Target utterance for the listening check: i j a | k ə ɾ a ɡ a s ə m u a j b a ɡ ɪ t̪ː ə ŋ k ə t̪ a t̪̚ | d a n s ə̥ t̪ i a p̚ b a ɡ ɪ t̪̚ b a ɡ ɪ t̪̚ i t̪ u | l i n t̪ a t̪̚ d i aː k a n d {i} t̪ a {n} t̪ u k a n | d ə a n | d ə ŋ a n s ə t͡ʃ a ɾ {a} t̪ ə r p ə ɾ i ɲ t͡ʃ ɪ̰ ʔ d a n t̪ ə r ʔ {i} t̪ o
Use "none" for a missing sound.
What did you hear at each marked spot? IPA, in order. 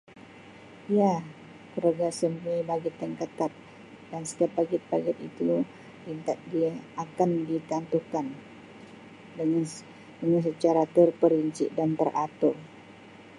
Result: i, n, a, a

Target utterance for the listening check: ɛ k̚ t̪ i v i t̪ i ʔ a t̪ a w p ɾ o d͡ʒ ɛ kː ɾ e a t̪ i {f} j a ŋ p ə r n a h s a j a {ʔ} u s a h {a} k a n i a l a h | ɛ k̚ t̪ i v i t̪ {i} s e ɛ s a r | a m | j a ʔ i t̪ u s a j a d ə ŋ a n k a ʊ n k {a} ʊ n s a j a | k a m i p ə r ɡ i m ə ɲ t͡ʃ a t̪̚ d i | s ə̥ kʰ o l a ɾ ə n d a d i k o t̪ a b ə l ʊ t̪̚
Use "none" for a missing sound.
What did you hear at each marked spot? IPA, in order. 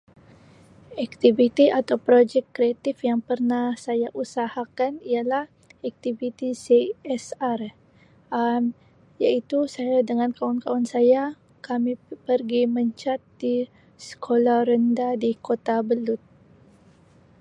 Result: f, ʔ, a, i, a

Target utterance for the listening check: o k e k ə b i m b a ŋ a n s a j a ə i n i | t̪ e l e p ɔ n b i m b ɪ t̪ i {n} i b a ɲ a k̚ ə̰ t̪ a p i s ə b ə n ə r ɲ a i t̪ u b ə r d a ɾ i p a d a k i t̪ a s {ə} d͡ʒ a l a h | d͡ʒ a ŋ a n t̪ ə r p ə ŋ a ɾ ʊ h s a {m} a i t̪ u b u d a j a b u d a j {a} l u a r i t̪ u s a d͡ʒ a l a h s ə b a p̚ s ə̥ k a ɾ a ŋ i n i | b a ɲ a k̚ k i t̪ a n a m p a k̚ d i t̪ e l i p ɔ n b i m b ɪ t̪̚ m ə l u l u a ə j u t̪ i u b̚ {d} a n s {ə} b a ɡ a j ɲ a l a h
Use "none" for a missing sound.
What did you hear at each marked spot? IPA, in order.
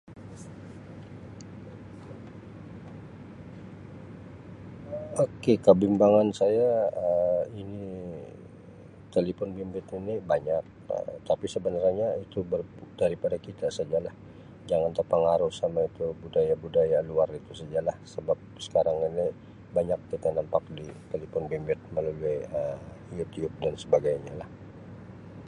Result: n, a, m, a, d, ə

